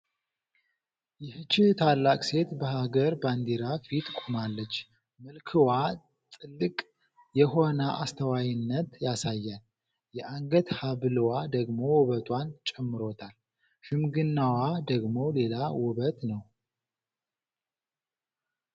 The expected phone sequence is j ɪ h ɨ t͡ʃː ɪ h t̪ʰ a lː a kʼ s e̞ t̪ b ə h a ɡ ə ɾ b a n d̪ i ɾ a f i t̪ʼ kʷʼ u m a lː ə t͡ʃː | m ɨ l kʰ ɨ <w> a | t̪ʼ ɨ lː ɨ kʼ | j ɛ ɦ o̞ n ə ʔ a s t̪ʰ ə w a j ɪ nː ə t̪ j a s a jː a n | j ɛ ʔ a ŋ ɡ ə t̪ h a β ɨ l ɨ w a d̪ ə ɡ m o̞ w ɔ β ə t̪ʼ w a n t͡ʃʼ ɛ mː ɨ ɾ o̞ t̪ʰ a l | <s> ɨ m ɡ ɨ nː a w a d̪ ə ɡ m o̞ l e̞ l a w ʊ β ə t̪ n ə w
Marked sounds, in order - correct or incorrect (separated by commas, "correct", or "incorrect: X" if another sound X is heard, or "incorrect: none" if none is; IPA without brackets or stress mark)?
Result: correct, incorrect: ʃ